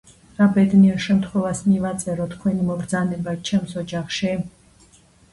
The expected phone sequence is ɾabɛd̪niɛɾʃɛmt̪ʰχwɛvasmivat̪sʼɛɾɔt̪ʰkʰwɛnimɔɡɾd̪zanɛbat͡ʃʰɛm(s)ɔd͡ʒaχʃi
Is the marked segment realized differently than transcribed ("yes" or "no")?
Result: no